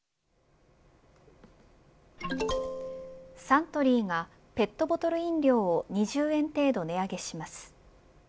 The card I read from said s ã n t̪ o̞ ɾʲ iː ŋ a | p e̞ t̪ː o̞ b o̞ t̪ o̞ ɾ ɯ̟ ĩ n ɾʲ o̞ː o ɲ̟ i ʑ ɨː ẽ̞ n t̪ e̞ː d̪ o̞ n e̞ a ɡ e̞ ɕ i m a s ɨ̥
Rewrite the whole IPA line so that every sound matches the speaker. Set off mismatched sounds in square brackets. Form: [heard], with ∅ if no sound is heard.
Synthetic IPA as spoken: s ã n t̪ o̞ ɾʲ iː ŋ a | p e̞ t̪ː o̞ b o̞ t̪ o̞ ɾ ɯ̟ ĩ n ɾʲ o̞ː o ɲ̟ i ʑ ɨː ẽ̞ n t̪ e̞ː d̪ o̞ n e̞ a ɡ e̞ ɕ i m a s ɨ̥